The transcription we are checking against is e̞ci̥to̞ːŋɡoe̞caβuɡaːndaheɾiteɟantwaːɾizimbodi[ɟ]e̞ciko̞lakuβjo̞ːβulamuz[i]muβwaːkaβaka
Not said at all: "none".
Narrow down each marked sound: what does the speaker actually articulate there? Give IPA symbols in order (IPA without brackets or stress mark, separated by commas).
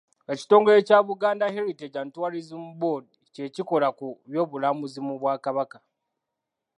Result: c, i